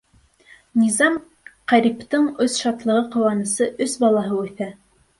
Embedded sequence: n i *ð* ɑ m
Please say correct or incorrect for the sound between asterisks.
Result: incorrect